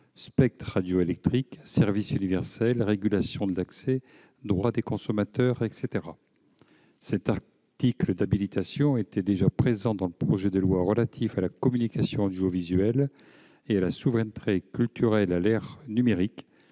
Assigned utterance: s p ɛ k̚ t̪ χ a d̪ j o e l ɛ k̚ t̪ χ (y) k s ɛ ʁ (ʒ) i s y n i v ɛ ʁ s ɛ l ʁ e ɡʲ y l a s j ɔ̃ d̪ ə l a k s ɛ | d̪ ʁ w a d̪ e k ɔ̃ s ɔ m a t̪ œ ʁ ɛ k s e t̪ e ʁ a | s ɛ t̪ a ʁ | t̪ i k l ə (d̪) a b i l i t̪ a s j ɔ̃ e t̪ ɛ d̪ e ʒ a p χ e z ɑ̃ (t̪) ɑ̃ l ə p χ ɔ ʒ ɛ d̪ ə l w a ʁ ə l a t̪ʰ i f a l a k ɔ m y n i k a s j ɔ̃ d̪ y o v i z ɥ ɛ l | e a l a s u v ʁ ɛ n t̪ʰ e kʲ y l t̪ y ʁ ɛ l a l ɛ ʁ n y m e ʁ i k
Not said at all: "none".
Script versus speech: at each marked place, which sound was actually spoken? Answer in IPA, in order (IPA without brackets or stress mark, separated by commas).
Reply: i, v, d̪, d̪